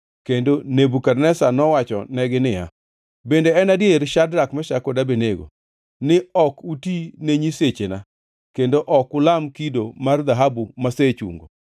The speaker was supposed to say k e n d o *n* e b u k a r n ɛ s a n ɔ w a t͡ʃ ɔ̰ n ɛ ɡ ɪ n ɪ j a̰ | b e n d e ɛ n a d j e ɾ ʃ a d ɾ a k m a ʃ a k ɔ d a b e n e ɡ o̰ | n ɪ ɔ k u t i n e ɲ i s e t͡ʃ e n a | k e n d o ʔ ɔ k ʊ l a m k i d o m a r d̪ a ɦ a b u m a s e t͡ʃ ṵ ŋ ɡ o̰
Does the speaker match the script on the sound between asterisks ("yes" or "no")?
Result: yes